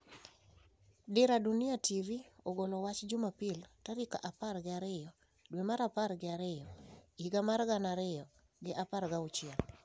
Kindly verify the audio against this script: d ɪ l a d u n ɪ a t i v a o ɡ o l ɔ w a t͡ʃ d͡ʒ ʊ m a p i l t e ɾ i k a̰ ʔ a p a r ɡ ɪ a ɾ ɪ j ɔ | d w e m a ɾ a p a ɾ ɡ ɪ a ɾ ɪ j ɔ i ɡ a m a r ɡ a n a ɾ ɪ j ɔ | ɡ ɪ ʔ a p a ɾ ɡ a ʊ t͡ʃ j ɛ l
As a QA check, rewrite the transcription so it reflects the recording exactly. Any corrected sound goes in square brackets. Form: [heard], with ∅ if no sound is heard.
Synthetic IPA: d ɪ [ɾ] a d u n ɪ a t i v [i] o ɡ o l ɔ w a t͡ʃ d͡ʒ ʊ m a p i l t [a] ɾ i k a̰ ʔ a p a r ɡ ɪ a ɾ ɪ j ɔ | d w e m a ɾ a p a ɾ ɡ ɪ a ɾ ɪ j ɔ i ɡ a m a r ɡ a n a ɾ ɪ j ɔ | ɡ ɪ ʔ a p a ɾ ɡ a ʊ t͡ʃ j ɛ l